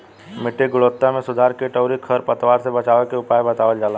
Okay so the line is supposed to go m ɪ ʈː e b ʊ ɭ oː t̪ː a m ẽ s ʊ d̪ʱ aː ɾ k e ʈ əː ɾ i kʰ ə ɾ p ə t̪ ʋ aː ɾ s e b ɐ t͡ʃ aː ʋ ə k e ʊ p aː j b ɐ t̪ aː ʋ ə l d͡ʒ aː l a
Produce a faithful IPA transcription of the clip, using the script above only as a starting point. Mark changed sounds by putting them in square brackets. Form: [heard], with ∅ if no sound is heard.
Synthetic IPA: m ɪ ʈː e [ɡ] ʊ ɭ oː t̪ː a m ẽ s ʊ d̪ʱ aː ɾ k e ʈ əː ɾ i kʰ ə ɾ p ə t̪ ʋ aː ɾ s e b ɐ t͡ʃ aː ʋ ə k e ʊ p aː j b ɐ t̪ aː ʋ ə l d͡ʒ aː l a

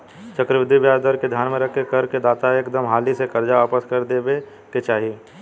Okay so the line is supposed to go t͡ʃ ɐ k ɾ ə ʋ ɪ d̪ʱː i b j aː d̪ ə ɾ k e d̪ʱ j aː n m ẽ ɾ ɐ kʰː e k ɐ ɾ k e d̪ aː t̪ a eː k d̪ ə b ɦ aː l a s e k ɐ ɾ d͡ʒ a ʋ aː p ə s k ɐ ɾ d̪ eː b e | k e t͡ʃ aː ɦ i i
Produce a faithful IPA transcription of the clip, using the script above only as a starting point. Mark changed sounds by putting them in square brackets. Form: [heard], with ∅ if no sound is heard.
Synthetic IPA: t͡ʃ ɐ k ɾ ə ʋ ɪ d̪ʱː i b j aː d̪ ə ɾ k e d̪ʱ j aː n m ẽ ɾ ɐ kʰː e k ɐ ɾ k e d̪ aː t̪ a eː k d̪ ə [m] ɦ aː l [i] s e k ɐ ɾ d͡ʒ a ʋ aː p ə s k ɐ ɾ d̪ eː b e | k e t͡ʃ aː ɦ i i

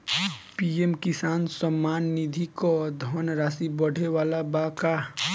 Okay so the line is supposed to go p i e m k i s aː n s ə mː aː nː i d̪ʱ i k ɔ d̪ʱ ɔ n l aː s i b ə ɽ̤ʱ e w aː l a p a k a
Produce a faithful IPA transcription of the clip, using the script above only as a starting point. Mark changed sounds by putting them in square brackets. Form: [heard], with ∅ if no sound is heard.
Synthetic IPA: p i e m k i s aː n s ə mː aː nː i d̪ʱ i k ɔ d̪ʱ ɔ n [ɾ] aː s i b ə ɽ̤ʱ e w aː l a [b] a k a

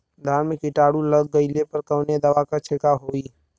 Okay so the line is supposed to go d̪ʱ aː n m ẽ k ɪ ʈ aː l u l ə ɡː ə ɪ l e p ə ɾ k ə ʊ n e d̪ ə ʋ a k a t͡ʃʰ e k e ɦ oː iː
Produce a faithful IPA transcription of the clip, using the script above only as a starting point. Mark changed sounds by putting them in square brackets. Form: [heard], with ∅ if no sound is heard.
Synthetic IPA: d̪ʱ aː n m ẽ k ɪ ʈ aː [ɽ] u l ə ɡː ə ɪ l e p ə ɾ k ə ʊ n e d̪ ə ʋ a k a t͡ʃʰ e k [a] ɦ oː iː

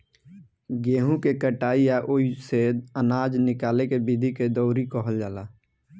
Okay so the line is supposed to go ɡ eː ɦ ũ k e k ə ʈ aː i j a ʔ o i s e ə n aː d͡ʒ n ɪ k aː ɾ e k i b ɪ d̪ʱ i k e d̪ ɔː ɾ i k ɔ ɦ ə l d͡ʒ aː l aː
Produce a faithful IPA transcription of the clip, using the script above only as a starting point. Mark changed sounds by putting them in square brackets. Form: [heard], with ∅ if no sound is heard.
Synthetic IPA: ɡ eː ɦ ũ k e k ə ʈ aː i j a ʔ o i s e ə n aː d͡ʒ n ɪ k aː [l] e k [e] b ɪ d̪ʱ i k e d̪ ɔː ɾ i k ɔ ɦ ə l d͡ʒ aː l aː

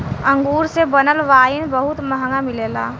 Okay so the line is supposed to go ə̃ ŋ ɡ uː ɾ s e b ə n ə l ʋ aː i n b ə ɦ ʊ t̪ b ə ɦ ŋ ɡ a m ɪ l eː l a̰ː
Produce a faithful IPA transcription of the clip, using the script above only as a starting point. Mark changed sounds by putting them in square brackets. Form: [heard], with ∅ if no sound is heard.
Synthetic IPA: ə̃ ŋ ɡ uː ɾ s e b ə n ə l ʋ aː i n b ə ɦ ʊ t̪ [m] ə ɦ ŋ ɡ a m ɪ l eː l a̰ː

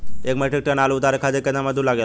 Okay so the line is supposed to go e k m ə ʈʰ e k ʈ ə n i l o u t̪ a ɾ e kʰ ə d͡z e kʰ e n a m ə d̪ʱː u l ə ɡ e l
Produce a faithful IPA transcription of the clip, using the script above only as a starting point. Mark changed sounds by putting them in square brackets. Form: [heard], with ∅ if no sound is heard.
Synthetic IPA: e k m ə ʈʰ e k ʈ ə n [a] l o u t̪ a ɾ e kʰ [a] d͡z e [k] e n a m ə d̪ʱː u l [a] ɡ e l

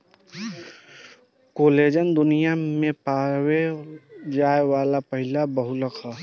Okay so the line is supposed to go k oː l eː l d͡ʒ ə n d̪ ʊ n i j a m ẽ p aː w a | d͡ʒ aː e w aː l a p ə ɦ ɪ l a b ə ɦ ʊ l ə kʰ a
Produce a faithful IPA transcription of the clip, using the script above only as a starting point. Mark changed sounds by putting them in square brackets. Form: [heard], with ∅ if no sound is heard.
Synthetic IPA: k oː l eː [∅] d͡ʒ ə n d̪ ʊ n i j a m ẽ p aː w [e] | d͡ʒ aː e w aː l a p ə ɦ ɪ l a b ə ɦ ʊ l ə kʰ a

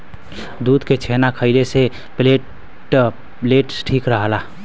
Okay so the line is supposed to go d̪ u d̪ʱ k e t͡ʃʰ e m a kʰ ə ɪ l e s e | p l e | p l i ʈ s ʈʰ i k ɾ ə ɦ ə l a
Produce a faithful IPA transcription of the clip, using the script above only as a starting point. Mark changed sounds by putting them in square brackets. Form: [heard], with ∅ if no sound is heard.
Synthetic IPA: d̪ u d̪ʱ k e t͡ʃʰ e [n] a kʰ ə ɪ l e s e | p l e | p l [e] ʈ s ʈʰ i k ɾ ə ɦ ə l a

